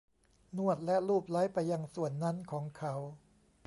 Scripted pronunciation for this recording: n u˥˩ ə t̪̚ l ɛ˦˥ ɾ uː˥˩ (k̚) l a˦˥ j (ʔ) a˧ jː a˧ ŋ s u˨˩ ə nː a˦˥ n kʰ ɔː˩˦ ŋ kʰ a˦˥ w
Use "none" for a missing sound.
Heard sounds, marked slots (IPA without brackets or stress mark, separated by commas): p̚, p